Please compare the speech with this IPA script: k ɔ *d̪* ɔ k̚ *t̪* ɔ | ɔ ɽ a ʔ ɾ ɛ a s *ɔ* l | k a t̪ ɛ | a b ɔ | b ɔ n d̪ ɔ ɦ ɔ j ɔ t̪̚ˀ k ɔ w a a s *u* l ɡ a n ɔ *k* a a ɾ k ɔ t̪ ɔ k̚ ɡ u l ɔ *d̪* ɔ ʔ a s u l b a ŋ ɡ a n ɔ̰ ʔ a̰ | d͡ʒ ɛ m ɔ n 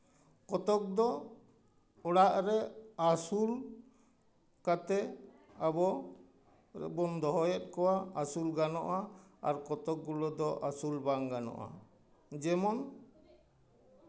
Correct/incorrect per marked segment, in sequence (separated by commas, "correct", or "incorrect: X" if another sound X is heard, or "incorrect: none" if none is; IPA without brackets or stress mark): incorrect: t̪, incorrect: d̪, incorrect: u, correct, incorrect: ʔ, correct